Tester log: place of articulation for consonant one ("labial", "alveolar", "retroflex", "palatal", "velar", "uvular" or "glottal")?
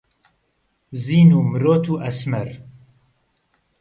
alveolar